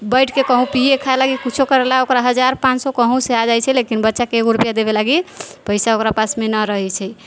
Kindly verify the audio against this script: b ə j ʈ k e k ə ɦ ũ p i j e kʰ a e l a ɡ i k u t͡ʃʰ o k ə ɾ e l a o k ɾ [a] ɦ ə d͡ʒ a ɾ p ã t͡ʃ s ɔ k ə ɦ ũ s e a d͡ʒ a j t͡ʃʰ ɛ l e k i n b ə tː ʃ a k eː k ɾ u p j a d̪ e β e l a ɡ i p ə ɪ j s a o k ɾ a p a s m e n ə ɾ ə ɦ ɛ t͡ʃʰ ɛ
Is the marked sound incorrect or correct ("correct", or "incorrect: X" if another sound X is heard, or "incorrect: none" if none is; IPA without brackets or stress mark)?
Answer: correct